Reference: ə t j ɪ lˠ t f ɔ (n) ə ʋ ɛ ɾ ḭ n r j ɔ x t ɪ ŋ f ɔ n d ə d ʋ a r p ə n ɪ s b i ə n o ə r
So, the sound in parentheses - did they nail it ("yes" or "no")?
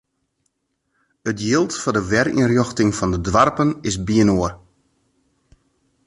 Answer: no